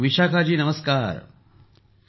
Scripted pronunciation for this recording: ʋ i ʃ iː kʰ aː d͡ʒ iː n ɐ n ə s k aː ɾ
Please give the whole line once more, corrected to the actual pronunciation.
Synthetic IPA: ʋ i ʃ aː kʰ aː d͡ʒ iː n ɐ m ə s k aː ɾ

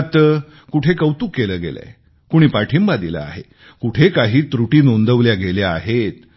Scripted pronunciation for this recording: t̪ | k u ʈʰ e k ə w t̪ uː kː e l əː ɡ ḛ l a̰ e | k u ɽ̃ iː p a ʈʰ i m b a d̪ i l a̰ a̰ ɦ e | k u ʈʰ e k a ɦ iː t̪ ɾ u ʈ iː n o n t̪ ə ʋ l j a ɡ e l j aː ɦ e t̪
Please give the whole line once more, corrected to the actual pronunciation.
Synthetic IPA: t̪ | k u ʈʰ e k ə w t̪ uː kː e l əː ɡ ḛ l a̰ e | k u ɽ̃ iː p a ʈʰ i m b a d̪ i l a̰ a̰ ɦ e | k u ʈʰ e k a ɦ iː t̪ ɾ u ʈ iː n o n d̪ ə ʋ l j a ɡ e l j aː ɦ e t̪

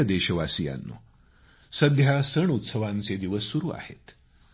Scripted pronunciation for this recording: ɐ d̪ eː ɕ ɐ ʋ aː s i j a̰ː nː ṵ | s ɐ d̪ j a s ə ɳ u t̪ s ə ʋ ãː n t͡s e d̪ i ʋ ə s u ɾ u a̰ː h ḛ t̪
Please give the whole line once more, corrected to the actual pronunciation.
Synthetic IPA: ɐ d̪ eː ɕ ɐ ʋ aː s i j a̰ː nː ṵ | s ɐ d̪ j a s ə ɳ u t̪ s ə ʋ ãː n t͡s e d̪ i ʋ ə s u ɾ u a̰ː h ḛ t̪

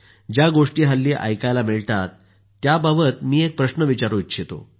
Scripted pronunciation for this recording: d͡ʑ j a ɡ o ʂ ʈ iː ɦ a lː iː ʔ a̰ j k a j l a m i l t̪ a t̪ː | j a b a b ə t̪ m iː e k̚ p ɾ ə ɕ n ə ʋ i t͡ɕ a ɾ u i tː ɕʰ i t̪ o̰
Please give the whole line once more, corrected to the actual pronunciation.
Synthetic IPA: d͡ʑ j a ɡ o ʂ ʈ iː ɦ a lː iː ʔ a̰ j k a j l a m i ɭ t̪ a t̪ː | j a b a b ə t̪ m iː e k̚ p ɾ ə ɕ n ə ʋ i t͡ɕ a ɾ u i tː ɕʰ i t̪ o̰

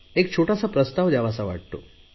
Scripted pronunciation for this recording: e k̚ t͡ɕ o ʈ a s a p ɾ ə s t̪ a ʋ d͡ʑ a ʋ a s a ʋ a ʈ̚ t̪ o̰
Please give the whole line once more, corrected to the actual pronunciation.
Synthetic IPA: e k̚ t͡ɕʰ o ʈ a s a p ɾ ə s t̪ a ʋ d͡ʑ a ʋ a s a ʋ a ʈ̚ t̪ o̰

